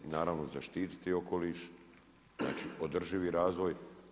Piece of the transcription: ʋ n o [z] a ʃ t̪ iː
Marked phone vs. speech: correct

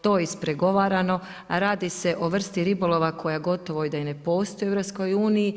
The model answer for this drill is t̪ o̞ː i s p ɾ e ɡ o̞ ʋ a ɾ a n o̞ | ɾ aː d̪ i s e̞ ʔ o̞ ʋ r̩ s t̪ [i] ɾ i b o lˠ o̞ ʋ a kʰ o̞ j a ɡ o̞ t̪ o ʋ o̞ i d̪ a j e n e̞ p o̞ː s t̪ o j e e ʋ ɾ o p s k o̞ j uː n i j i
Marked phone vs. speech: correct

